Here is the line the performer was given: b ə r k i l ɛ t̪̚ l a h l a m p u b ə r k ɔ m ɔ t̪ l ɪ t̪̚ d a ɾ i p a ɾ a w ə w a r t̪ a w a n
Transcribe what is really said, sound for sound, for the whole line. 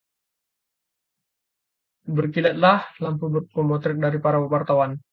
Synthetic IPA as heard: b ə r k i l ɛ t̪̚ l a h l a m p u b ə r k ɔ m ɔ t̪ ɾ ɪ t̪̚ d a ɾ i p a ɾ a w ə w a r t̪ a w a n

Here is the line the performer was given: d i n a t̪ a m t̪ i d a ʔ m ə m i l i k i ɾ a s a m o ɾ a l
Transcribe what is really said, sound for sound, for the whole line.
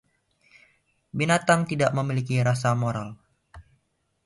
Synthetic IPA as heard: b i n a t̪ a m t̪ i d a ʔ m ə m i l i k i ɾ a s a m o ɾ a l

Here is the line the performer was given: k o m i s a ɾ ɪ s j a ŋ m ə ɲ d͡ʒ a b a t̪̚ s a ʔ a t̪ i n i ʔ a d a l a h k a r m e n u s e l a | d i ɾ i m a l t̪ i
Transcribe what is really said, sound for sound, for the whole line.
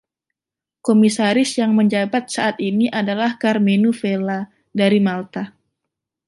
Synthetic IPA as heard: k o m i s a ɾ ɪ s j a ŋ m ə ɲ d͡ʒ a b a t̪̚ s a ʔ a t̪ i n i ʔ a d a l a h k a r m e n u f e l a | d a ɾ i m a l t̪ a

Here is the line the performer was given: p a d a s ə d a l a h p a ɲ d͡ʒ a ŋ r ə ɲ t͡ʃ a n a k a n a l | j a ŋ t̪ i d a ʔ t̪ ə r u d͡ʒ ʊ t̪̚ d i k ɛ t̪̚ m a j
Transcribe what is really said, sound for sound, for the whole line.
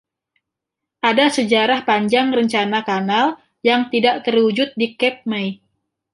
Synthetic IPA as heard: ʔ a d a s ə d͡ʒ a ɾ a h p a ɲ d͡ʒ a ŋ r ə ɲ t͡ʃ a n a k a n a l | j a ŋ t̪ i d a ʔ t̪ ə r u d͡ʒ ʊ t̪̚ d i k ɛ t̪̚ m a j

